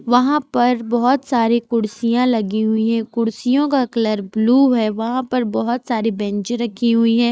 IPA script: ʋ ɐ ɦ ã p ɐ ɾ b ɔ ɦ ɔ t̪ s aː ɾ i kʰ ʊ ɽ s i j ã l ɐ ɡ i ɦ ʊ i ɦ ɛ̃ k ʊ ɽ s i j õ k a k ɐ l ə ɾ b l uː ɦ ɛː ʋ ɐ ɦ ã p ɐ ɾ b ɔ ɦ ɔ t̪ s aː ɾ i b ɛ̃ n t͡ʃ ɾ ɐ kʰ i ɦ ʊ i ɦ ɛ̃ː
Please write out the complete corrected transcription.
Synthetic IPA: ʋ ɐ ɦ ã p ɐ ɾ b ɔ ɦ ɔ t̪ s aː ɾ i k ʊ ɽ s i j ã l ɐ ɡ i ɦ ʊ i ɦ ɛ̃ k ʊ ɽ s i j õ k a k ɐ l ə ɾ b l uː ɦ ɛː ʋ ɐ ɦ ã p ɐ ɾ b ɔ ɦ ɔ t̪ s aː ɾ i b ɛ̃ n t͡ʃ ɾ ɐ kʰ i ɦ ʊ i ɦ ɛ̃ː